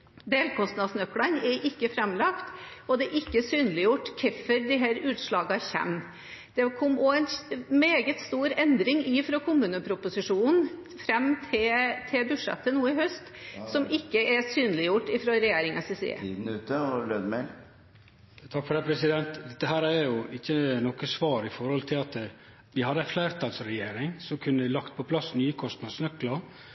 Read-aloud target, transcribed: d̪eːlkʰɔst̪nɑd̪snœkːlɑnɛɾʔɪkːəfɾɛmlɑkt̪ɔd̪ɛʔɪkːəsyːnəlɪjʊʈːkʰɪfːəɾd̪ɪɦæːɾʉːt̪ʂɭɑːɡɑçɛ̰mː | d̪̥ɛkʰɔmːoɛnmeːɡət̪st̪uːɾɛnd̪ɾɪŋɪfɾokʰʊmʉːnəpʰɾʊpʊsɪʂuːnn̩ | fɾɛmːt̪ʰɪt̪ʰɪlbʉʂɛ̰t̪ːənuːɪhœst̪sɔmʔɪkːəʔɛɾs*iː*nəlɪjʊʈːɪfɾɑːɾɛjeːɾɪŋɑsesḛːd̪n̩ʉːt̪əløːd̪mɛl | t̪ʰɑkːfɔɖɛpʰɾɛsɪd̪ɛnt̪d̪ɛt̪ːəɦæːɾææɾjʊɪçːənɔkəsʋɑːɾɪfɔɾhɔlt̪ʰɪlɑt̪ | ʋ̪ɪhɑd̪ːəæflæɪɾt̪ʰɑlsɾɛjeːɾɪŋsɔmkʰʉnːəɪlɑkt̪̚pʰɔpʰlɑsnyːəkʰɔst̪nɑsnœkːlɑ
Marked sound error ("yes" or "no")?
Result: yes